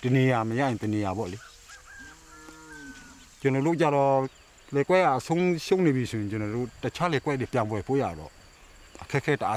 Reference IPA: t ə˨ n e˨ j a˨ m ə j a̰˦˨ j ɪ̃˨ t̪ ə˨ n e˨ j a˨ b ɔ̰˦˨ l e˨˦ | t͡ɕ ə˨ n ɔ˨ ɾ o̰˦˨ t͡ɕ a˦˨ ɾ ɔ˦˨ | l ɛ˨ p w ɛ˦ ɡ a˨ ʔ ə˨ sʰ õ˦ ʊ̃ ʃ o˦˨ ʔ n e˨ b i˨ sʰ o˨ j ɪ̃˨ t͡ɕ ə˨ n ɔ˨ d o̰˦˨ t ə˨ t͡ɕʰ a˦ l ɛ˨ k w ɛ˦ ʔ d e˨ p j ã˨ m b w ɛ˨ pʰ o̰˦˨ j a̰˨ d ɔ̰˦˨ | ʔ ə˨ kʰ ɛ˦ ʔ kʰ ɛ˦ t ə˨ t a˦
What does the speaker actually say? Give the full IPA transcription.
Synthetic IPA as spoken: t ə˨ n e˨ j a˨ m ə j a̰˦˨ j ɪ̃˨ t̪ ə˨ n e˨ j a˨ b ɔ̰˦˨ l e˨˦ | t͡ɕ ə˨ n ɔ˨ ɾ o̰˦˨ t͡ɕ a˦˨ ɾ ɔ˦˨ | l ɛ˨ k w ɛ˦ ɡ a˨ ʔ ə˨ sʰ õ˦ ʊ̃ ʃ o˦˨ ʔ n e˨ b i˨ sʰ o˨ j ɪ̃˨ t͡ɕ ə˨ n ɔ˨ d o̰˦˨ t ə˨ t͡ɕʰ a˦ l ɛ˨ k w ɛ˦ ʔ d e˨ p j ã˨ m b w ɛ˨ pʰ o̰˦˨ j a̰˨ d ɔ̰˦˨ | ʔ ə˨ kʰ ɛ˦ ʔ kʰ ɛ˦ t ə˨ ʔ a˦